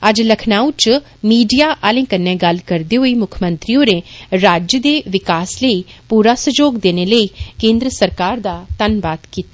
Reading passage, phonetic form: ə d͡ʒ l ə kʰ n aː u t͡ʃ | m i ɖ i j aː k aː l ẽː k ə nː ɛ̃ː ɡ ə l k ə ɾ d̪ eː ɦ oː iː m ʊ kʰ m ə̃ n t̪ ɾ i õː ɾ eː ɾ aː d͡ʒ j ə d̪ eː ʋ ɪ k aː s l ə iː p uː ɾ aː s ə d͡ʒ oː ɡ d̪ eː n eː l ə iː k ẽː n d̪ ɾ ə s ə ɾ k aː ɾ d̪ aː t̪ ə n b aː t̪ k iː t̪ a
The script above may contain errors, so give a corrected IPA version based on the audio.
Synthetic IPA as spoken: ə d͡ʒ l ə kʰ n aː u t͡ʃ | m iː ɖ i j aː ʔ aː l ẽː k ə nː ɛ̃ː ɡ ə l k ə ɾ d̪ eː ɦ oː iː m ʊ kʰ m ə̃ n t̪ ɾ i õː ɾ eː ɾ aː d͡ʒ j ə d̪ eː ʋ ɪ k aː s l ə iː p uː ɾ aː s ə d͡ʒ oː ɡ d̪ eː n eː l ə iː k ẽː n d̪ ɾ ə s ə ɾ k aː ɾ d̪ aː t̪ ə n b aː t̪ k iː t̪ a